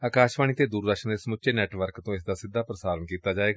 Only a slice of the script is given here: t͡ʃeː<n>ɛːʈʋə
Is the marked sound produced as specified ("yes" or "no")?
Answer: yes